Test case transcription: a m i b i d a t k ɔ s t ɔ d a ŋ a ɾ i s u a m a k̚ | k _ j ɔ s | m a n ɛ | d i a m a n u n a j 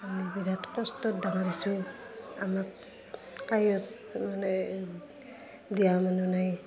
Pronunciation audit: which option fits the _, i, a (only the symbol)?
a